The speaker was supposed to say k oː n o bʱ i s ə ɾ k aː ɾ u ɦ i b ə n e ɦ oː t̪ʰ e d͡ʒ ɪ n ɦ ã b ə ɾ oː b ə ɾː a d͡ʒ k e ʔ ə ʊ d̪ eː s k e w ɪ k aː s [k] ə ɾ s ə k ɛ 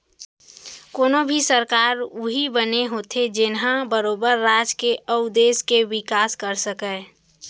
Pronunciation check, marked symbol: correct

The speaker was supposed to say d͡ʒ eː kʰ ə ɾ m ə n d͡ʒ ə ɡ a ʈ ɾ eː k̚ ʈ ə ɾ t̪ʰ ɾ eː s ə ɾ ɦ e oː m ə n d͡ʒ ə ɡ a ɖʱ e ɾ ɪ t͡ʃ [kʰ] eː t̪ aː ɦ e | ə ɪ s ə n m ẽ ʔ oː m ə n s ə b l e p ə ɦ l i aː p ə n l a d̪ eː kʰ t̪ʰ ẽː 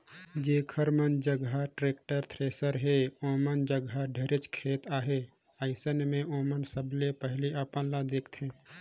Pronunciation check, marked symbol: correct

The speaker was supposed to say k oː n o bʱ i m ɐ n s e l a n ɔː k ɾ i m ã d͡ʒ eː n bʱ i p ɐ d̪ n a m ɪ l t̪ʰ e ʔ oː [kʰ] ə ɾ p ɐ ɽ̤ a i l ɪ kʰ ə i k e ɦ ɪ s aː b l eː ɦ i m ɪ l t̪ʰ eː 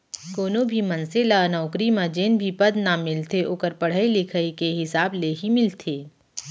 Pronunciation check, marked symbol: incorrect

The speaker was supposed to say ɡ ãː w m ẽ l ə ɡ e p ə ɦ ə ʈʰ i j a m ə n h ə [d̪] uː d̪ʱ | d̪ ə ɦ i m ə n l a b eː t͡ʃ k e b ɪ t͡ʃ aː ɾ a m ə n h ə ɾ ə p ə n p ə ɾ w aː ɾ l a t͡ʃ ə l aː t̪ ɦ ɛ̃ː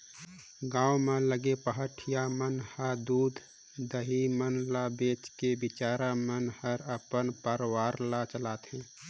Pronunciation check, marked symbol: correct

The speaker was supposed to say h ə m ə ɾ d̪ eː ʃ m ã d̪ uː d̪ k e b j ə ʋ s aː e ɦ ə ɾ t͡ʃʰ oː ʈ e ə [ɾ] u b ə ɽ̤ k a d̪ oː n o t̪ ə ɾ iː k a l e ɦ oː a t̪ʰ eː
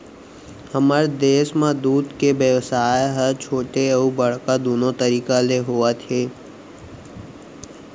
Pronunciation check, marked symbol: incorrect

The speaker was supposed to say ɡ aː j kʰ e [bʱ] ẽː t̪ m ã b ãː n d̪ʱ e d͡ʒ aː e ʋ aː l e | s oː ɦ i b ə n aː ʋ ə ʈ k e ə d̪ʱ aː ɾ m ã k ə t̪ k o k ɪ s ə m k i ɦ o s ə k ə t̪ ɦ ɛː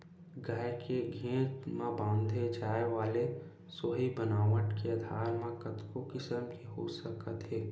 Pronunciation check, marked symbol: incorrect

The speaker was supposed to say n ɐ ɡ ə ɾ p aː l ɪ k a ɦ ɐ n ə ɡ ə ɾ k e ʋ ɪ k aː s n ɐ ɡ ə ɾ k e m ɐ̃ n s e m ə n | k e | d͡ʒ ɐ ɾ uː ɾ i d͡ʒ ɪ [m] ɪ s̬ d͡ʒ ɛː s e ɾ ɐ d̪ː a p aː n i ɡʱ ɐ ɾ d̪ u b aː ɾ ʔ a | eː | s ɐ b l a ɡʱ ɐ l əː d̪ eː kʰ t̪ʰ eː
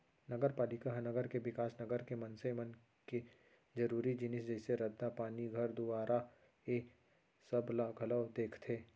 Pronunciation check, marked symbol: incorrect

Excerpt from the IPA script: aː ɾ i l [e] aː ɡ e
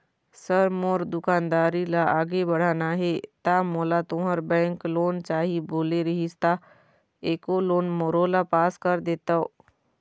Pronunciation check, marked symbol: incorrect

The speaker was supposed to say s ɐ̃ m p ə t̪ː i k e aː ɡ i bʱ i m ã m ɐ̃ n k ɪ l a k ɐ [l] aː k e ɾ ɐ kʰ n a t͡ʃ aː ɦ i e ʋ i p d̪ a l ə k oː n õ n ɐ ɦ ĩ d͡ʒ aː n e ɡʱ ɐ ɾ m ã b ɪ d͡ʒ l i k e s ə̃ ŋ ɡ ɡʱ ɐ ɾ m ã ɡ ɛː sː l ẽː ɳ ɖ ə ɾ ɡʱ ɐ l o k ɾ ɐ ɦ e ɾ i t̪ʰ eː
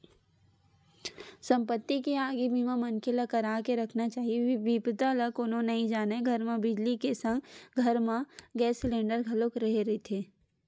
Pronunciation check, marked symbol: incorrect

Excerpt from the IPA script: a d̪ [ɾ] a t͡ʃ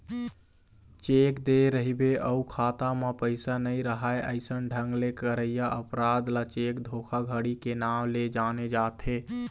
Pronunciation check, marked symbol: incorrect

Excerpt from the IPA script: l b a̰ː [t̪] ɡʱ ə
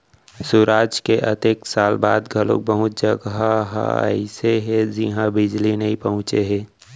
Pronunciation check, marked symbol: incorrect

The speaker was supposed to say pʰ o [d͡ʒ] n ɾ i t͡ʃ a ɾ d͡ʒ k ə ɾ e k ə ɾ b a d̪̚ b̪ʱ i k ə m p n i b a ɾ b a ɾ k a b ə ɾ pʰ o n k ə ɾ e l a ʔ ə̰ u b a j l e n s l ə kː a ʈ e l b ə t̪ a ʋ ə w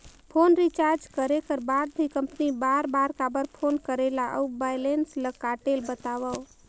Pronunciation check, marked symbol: incorrect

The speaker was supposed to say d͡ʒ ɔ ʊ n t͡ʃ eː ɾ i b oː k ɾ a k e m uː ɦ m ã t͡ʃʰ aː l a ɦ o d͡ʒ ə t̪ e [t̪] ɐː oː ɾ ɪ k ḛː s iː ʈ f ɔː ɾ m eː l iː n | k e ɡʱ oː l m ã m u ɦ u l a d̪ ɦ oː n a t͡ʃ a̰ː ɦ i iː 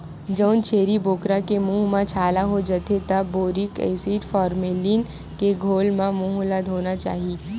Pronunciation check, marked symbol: correct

